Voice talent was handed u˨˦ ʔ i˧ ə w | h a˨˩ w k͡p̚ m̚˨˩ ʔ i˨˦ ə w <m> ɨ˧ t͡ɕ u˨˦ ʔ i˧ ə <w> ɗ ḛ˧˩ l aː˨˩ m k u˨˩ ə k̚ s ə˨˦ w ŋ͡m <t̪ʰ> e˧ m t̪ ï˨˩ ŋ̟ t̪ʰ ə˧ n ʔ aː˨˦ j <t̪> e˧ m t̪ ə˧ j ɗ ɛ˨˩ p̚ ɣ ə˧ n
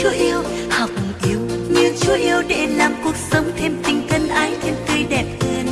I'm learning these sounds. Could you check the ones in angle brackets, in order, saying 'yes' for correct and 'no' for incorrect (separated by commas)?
no, yes, yes, no